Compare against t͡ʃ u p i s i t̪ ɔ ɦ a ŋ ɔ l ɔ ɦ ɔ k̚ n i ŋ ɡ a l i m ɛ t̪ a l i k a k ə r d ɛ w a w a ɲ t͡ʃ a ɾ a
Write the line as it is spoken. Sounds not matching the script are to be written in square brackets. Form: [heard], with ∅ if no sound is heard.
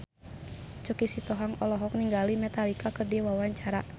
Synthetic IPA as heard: t͡ʃ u [k] i s i t̪ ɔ ɦ a ŋ ɔ l ɔ ɦ ɔ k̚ n i ŋ ɡ a l i m ɛ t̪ a l i k a k ə r d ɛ w a w a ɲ t͡ʃ a ɾ a